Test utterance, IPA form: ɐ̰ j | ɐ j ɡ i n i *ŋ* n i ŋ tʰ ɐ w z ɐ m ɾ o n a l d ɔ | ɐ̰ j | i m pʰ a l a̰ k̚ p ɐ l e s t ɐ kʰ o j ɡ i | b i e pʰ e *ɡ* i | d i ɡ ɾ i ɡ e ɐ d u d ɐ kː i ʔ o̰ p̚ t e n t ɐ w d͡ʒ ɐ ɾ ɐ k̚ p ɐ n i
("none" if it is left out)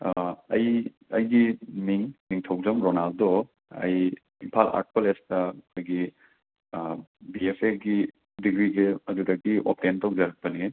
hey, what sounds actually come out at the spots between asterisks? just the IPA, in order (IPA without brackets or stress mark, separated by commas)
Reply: ŋ, ɡ